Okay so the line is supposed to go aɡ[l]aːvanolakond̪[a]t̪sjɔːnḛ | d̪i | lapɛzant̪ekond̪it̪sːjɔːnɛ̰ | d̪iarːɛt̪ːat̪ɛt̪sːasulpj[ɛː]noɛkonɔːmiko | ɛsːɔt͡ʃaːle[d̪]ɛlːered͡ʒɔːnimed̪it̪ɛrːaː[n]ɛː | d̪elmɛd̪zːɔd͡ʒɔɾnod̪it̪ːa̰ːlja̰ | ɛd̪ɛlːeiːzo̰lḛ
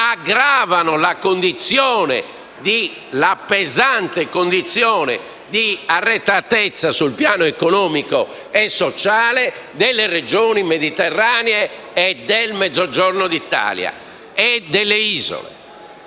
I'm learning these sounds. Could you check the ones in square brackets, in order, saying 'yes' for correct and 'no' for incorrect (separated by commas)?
no, no, no, yes, yes